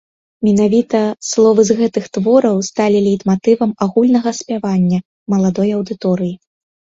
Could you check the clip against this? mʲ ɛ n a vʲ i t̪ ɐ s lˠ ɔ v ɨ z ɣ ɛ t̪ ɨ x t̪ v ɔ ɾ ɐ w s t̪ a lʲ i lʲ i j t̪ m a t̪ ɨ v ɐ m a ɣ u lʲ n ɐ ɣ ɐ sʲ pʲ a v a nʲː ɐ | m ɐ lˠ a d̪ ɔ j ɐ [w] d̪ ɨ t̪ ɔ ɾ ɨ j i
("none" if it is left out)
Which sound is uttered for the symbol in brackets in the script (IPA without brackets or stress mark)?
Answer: w